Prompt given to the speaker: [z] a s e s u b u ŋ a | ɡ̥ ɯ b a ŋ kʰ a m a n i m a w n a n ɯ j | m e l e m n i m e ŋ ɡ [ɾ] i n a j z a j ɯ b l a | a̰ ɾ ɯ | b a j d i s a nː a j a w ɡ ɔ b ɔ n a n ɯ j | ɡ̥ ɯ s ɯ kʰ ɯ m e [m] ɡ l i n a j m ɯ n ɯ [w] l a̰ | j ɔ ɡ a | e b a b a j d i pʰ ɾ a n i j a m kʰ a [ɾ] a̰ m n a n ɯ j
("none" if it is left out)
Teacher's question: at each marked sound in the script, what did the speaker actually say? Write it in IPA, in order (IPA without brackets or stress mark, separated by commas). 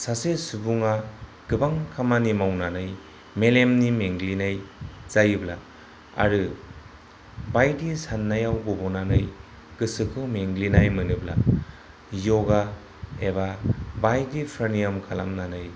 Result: s, l, ŋ, b, l